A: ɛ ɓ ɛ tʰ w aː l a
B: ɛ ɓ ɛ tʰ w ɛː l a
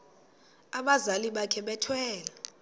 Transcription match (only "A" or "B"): B